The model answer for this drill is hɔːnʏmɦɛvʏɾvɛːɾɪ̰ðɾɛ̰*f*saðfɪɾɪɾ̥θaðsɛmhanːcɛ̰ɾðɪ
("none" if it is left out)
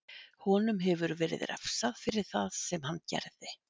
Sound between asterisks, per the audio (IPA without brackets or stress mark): f